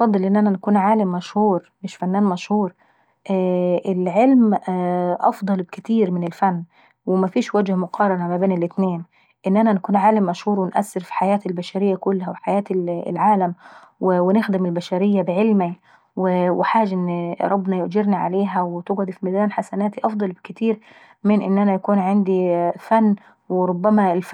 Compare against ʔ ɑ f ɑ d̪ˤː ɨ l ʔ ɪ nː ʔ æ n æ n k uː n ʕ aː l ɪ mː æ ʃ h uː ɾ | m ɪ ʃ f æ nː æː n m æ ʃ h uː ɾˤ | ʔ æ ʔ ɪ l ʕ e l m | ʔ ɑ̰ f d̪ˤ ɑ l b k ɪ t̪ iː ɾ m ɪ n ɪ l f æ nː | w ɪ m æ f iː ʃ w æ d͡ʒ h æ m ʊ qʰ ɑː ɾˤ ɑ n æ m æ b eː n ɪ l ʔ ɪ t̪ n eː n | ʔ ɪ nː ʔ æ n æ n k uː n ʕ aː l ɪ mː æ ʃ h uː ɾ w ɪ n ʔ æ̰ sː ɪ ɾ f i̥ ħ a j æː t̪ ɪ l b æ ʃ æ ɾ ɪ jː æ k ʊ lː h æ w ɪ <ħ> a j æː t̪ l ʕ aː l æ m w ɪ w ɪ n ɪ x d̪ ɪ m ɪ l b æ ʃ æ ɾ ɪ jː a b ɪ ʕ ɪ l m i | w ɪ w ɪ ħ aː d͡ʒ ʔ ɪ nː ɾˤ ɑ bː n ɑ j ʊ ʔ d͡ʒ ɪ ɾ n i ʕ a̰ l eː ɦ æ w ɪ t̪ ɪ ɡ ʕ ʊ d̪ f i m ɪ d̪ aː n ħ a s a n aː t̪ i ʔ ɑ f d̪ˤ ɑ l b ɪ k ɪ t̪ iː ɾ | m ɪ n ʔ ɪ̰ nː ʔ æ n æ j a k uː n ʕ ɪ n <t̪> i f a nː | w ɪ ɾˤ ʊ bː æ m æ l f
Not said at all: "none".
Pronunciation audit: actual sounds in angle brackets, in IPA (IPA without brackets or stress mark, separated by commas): ħ, d̪